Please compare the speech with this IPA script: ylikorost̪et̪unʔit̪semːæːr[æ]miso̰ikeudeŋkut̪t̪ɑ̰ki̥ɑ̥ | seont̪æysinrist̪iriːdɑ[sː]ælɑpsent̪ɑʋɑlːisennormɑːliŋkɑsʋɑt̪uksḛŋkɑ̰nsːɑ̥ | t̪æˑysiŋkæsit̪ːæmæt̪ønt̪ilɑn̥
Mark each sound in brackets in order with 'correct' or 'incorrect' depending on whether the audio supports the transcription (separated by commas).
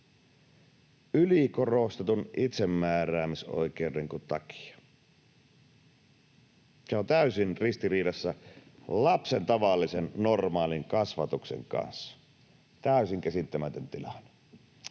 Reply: incorrect, correct